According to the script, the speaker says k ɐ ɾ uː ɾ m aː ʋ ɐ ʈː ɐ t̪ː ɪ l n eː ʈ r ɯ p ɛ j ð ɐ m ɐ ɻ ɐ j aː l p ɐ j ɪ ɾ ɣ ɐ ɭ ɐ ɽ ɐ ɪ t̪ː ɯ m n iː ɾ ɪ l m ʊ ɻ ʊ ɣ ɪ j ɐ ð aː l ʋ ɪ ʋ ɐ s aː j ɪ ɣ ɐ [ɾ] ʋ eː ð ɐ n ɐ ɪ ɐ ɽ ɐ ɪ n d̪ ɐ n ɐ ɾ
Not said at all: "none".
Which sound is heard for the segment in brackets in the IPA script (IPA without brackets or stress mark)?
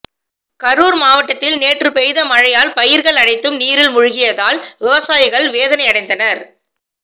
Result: ɭ